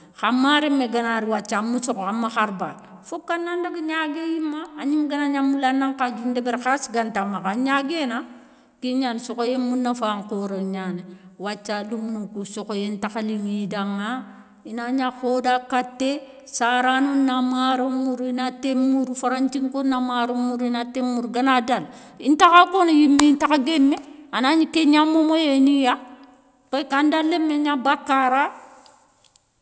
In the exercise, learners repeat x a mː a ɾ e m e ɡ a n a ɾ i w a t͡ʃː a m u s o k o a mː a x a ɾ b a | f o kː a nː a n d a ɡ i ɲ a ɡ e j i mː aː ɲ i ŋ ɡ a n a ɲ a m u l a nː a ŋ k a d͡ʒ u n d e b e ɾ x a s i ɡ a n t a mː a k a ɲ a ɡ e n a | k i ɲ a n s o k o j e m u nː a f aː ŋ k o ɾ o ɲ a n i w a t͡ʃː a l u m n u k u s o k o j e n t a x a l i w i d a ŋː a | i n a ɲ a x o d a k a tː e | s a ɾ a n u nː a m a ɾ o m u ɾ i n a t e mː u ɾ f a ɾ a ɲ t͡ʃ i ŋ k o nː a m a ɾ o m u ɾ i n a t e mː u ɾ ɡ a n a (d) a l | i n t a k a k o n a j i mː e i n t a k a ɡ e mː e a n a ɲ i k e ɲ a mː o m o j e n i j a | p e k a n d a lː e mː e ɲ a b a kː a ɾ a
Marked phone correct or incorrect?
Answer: correct